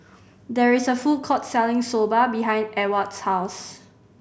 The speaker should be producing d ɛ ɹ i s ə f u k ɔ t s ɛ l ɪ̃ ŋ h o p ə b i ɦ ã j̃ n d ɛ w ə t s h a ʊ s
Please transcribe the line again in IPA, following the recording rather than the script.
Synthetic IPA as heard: d ɛ ɹ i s ə f u kʰ ɔ t s ɛ l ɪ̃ ŋ s o b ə b i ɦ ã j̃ n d ɛ w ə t s h a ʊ s